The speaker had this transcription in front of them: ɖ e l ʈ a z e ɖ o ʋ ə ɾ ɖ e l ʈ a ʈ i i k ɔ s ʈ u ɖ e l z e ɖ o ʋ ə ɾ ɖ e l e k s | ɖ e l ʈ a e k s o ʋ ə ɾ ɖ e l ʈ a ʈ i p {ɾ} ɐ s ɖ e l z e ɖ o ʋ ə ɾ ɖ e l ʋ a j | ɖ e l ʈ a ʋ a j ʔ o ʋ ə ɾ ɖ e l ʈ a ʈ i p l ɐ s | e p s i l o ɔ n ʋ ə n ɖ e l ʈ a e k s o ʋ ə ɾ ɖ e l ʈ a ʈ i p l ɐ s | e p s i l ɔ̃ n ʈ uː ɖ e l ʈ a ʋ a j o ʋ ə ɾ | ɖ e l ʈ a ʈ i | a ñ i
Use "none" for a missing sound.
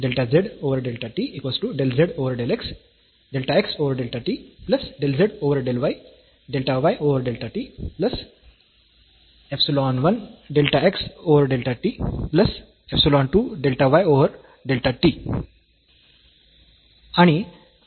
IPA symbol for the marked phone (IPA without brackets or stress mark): l